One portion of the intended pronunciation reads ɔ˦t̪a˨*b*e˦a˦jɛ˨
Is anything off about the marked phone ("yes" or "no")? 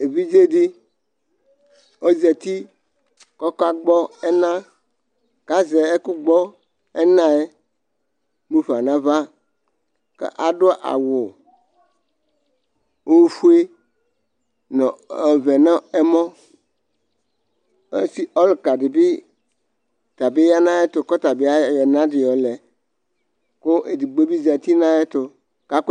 no